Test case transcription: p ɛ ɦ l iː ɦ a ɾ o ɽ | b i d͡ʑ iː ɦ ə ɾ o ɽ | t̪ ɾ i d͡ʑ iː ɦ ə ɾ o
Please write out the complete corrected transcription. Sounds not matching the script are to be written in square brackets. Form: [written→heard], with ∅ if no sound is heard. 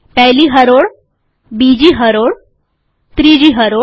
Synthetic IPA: p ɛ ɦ l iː ɦ [a→ə] ɾ o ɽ | b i d͡ʑ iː ɦ ə ɾ o ɽ | t̪ ɾ i d͡ʑ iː ɦ ə ɾ o

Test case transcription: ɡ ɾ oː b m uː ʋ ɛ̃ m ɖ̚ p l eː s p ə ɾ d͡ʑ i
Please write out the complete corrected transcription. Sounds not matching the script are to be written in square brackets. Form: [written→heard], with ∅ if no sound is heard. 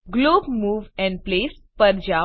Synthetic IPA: ɡ [ɾ→l] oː b m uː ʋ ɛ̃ [m→ɳ] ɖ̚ p l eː s p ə ɾ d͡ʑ [i→a]

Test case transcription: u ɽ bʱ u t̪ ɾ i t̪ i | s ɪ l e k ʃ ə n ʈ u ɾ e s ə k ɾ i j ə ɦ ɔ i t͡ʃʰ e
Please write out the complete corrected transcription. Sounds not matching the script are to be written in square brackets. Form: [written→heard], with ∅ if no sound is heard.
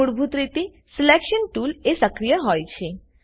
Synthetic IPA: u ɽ bʱ u t̪ ɾ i t̪ i | s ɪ l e k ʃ ə n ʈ u [ɾ→l] e s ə k ɾ i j ə ɦ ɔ [i→j] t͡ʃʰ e

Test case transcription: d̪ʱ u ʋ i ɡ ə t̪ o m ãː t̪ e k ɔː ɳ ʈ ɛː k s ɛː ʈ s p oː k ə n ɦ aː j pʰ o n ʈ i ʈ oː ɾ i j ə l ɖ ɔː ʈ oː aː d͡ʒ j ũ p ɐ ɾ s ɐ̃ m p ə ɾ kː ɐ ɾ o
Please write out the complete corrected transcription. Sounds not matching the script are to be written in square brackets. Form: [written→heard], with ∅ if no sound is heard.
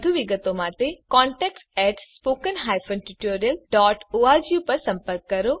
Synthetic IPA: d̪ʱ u ʋ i ɡ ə t̪ o m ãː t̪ e k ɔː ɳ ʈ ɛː k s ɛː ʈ s p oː k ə n ɦ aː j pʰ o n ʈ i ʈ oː ɾ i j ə l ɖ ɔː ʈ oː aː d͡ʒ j [ũ→u] p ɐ ɾ s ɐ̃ m p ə ɾ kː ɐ ɾ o

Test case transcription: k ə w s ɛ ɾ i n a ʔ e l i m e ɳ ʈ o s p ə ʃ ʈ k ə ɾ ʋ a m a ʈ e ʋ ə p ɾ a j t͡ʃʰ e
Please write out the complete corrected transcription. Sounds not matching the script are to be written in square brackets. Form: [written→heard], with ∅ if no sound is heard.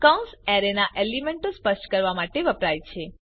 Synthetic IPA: k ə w s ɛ ɾ [i→e] n a ʔ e l i m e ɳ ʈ o s p ə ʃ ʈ k ə ɾ ʋ a m a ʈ e ʋ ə p ɾ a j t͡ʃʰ e

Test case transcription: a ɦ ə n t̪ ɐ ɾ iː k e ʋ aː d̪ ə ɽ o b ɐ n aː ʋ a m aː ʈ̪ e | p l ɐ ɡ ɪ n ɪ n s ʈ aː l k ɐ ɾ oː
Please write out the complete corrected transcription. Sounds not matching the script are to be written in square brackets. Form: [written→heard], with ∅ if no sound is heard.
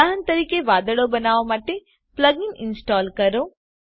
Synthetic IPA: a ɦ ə n t̪ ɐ ɾ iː k e ʋ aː d̪ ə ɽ o b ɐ n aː ʋ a m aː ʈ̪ e | p l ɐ ɡ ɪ n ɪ n s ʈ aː l k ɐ ɾ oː

